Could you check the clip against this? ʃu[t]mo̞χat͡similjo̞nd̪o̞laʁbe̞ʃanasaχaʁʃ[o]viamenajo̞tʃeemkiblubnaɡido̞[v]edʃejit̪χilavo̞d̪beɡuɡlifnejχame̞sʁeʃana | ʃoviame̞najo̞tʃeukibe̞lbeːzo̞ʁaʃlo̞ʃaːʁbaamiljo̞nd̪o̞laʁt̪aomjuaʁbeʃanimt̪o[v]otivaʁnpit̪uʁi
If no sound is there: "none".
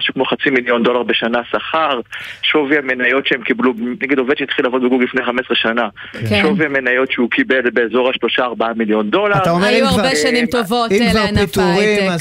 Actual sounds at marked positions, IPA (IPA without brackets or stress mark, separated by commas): k, o, v, v